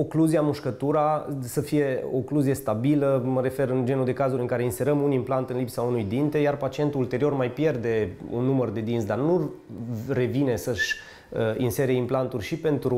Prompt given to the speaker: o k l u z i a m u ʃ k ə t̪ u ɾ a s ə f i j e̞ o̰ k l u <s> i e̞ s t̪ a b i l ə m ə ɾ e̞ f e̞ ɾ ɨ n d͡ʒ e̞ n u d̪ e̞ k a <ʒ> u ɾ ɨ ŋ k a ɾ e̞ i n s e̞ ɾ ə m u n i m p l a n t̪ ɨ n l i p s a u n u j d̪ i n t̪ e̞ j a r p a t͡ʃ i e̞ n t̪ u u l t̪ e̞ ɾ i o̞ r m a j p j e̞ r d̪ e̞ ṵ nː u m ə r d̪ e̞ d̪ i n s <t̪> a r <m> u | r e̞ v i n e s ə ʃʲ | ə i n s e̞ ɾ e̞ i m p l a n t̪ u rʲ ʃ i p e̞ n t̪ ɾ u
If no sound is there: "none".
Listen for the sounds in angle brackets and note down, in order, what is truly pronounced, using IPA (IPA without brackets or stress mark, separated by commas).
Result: z, z, d̪, n